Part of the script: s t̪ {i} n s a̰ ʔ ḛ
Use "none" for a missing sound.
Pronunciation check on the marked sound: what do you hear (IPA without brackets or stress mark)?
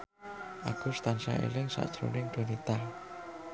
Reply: a